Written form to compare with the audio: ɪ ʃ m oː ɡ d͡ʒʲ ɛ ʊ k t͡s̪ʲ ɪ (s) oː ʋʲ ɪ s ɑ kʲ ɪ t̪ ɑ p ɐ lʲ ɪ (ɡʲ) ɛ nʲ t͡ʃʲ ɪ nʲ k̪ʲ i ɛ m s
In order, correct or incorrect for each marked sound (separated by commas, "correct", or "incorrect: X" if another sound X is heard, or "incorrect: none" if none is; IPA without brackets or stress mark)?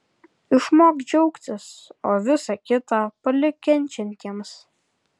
correct, incorrect: kʲ